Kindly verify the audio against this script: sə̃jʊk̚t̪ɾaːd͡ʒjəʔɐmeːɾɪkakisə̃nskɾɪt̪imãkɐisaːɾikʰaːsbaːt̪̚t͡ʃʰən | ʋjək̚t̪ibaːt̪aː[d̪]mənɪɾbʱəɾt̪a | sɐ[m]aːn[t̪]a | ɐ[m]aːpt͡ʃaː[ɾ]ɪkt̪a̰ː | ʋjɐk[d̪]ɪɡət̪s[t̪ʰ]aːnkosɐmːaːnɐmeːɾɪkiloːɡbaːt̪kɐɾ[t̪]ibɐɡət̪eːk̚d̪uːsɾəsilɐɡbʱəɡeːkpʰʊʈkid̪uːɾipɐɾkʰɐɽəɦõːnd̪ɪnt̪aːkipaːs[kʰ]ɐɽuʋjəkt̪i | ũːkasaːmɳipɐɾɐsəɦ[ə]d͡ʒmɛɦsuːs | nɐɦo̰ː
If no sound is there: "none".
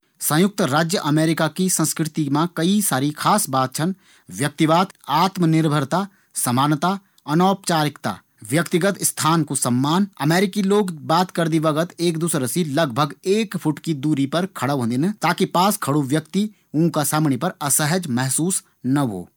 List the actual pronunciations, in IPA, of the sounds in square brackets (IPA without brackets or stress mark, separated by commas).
t̪, m, t̪, n, ɾ, t̪, t̪ʰ, d̪, kʰ, ə